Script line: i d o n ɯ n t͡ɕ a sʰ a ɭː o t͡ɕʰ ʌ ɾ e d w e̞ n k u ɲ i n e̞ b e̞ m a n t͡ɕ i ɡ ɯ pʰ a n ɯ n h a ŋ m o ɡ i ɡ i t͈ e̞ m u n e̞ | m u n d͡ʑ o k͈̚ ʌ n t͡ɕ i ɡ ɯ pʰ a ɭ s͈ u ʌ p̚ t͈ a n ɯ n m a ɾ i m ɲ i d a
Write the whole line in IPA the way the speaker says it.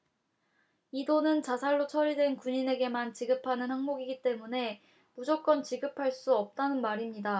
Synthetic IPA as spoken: i d o n ɯ n t͡ɕ a sʰ a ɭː o t͡ɕʰ ʌ ɾ i d w e̞ n k u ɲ i n e̞ ɡ e̞ m a n t͡ɕ i ɡ ɯ pʰ a n ɯ n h a ŋ m o ɡ i ɡ i t͈ e̞ m u n e̞ | m u d͡ʑ o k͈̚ ʌ n t͡ɕ i ɡ ɯ pʰ a ɭ s͈ u ʌ p̚ t͈ a n ɯ n m a ɾ i m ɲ i d a